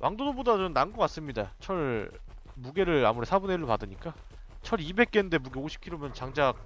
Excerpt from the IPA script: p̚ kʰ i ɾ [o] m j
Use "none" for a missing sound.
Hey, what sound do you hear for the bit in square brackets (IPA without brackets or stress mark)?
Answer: o